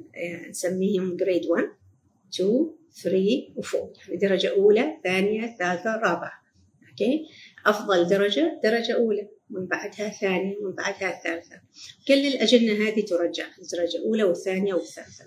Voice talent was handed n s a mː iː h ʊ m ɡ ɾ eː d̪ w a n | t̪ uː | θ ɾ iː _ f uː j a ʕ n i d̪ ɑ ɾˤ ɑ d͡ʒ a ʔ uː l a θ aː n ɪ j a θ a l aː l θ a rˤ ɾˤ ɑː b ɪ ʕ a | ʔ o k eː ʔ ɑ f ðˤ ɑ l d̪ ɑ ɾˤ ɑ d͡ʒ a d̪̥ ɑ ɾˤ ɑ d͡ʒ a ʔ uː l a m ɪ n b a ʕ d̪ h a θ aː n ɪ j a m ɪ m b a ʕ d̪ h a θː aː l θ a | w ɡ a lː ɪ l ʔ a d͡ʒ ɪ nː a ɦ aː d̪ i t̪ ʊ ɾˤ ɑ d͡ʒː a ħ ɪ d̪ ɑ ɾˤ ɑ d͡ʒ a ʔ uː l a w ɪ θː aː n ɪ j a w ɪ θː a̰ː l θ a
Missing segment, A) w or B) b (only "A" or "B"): A